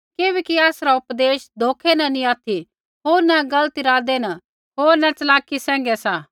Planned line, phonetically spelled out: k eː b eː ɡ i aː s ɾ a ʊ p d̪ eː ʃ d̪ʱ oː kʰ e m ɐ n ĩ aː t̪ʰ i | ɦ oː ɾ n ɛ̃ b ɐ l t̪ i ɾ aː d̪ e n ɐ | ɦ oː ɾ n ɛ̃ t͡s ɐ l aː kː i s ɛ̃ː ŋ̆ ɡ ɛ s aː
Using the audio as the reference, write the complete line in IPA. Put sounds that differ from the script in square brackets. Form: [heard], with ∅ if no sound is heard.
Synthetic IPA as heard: k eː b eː [k] i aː s ɾ a ʊ p d̪ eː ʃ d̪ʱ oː kʰ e [n] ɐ n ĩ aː t̪ʰ i | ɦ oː ɾ n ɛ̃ [ɡ] ɐ l t̪ i ɾ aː d̪ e n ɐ | ɦ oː ɾ n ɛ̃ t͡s ɐ l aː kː i s ɛ̃ː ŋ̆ ɡ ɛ s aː